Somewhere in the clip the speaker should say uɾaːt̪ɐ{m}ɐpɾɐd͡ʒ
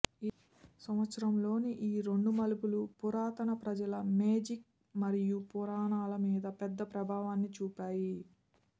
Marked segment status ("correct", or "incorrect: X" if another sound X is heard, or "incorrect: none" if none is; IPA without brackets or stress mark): incorrect: n